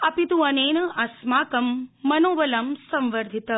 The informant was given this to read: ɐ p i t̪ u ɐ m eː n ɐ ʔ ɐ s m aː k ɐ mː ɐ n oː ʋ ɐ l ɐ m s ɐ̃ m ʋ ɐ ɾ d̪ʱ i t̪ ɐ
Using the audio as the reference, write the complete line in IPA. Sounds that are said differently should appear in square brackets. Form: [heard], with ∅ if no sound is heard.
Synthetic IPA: ɐ p i t̪ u ɐ [n] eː n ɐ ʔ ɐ s m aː k ɐ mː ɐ n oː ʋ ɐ l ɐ m s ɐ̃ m ʋ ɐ ɾ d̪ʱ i t̪ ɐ